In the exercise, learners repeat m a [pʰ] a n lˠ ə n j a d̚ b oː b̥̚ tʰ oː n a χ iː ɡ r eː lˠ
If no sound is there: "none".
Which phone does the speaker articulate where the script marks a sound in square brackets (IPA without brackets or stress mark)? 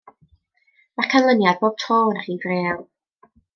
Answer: kʰ